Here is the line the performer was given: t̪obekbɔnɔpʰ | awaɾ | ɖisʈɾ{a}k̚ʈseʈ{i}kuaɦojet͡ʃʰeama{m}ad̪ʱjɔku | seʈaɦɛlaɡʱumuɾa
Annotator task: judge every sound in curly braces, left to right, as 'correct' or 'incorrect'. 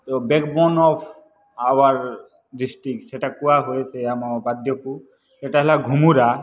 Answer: incorrect: i, incorrect: a, incorrect: b

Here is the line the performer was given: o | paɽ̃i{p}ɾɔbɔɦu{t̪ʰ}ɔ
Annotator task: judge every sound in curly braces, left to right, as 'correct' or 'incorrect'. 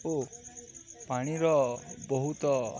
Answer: incorrect: none, incorrect: t̪

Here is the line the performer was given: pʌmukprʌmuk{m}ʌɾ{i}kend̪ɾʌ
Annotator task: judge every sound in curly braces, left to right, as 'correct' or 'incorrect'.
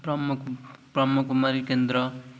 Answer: correct, correct

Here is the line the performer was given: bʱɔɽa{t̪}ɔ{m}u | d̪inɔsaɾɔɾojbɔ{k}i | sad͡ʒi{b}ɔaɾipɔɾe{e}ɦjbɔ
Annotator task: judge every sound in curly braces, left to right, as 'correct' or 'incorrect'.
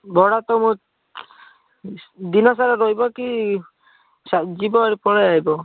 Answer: correct, correct, correct, correct, incorrect: a

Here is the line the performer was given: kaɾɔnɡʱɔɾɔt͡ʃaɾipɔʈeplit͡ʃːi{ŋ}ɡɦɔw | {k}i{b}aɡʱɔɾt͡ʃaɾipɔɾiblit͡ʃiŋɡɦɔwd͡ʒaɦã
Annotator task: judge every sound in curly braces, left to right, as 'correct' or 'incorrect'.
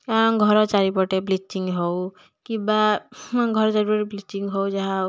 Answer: correct, correct, correct

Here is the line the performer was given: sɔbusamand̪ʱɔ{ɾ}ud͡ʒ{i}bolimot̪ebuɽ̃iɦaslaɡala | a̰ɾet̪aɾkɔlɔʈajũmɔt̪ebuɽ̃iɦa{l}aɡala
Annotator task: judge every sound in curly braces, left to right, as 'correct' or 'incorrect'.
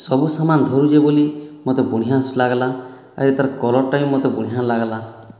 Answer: correct, incorrect: e, correct

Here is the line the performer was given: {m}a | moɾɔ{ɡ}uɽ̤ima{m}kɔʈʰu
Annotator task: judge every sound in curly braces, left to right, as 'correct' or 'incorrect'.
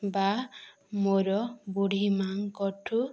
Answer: incorrect: b, incorrect: b, incorrect: ŋ

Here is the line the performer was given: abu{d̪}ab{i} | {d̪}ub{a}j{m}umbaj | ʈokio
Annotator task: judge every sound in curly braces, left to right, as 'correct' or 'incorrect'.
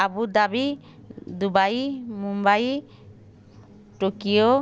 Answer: correct, correct, correct, correct, correct

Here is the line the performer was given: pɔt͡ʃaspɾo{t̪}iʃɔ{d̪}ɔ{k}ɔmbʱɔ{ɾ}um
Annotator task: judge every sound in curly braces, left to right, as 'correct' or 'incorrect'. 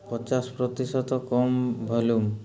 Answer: correct, incorrect: t̪, correct, incorrect: l

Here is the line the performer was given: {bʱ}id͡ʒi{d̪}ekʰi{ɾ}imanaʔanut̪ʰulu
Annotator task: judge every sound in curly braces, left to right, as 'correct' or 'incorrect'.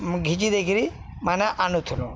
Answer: incorrect: ɡʱ, correct, correct

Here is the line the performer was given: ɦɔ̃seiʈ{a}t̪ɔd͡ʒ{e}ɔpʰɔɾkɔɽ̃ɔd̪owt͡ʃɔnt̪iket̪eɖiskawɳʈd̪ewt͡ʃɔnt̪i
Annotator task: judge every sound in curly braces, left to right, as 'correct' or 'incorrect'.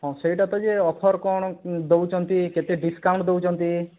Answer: correct, correct

